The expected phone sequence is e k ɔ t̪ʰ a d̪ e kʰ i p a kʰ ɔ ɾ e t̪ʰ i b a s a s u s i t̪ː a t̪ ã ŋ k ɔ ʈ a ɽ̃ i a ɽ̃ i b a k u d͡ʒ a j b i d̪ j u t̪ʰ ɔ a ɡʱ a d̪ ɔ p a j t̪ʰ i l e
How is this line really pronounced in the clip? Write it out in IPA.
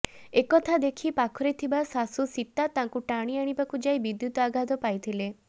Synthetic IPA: e k ɔ t̪ʰ a d̪ e kʰ i p a kʰ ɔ ɾ e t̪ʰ i b a s a s u s i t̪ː a t̪ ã ŋ k u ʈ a ɽ̃ i a ɽ̃ i b a k u d͡ʒ a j b i d̪ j u t̪ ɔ a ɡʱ a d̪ ɔ p a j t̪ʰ i l e